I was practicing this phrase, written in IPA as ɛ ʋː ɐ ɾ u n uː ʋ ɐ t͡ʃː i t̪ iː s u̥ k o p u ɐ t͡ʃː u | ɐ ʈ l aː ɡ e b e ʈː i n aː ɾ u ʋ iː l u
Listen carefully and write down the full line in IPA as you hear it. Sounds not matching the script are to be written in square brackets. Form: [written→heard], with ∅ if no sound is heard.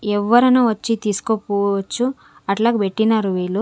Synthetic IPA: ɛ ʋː ɐ ɾ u n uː ʋ ɐ t͡ʃː i t̪ iː s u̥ k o p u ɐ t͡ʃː u | ɐ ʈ l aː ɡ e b e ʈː i n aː ɾ u ʋ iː l u

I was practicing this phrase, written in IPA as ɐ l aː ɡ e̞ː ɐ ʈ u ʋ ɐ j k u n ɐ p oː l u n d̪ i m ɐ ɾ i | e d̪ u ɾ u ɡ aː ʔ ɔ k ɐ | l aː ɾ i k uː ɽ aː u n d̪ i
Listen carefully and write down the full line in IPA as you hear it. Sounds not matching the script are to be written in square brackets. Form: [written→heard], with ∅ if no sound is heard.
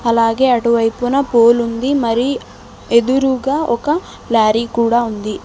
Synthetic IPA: ɐ l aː ɡ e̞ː ɐ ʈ u ʋ ɐ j [k→p] u n ɐ p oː l u n d̪ i m ɐ ɾ i | e d̪ u ɾ u ɡ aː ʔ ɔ k ɐ | l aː ɾ i k uː ɽ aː u n d̪ i

